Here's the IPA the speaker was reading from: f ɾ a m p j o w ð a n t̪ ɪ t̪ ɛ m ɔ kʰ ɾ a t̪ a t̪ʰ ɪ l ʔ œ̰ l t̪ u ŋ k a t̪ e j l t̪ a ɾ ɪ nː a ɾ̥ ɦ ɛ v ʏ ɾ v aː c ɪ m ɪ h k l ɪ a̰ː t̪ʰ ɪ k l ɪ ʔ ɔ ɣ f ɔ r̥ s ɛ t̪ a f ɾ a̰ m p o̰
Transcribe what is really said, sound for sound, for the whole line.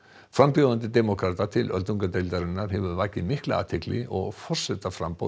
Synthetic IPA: f ɾ a m p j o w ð a n t̪ ɪ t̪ ɛ m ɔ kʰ ɾ a t̪ a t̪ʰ ɪ l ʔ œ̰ l t̪ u ŋ k a t̪ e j l t̪ a ɾ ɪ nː a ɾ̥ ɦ ɛ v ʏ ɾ v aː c ɪ m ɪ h k l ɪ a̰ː t̪ʰ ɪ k l ɪ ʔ ɔ ɣ f ɔ r̥ s ɛ t̪ a f ɾ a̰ m p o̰